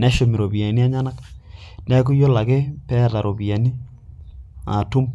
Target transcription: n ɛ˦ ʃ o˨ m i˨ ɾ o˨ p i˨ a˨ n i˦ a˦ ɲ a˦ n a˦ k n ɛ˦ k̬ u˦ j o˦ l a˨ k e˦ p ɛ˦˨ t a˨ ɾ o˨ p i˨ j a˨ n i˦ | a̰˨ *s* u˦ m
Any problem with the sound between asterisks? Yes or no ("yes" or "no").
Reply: yes